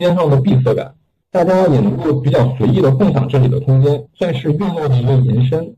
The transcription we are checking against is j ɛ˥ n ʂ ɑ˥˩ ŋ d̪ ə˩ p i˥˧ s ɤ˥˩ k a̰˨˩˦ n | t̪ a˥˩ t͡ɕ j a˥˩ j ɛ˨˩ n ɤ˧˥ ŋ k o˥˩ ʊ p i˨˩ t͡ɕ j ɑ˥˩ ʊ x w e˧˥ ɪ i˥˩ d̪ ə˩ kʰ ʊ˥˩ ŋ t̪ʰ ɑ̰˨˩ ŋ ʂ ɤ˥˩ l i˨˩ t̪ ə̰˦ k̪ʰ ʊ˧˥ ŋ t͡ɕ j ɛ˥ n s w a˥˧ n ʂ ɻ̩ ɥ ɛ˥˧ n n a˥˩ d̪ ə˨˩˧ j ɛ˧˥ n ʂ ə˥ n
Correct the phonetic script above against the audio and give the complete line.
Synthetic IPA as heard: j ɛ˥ n ʂ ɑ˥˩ ŋ d̪ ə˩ p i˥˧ s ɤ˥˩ k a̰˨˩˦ n | t̪ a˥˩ t͡ɕ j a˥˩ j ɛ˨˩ n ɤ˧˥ ŋ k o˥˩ ʊ p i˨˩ t͡ɕ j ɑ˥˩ ʊ s w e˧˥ ɪ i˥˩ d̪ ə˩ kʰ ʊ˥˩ ŋ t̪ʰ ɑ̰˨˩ ŋ ʈ͡ʂ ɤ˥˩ l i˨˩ d̪ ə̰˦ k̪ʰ ʊ˥ ŋ t͡ɕ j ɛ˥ n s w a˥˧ n ʂ ɻ̩ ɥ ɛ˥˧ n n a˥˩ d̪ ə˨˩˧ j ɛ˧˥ n ʂ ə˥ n